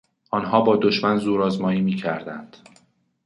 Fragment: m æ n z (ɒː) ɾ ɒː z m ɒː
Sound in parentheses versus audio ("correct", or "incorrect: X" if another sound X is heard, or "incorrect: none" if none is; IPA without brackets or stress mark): incorrect: uː